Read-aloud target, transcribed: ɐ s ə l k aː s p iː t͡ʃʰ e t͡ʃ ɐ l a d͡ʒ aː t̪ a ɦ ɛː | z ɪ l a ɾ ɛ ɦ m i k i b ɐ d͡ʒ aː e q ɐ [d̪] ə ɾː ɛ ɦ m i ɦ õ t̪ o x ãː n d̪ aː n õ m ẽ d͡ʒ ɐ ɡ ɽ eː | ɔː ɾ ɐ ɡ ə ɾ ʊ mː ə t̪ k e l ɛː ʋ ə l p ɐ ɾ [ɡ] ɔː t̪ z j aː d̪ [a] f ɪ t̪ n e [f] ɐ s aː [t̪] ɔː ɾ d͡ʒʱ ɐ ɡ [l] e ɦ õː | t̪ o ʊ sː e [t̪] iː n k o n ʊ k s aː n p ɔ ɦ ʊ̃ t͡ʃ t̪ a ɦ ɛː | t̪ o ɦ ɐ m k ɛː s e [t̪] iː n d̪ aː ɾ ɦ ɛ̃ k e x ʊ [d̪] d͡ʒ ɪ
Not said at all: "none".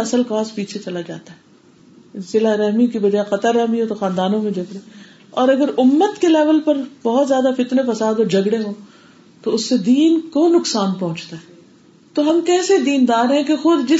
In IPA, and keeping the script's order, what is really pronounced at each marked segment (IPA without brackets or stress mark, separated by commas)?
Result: t̪, b, a, f, d̪, ɽ, d̪, d̪, d̪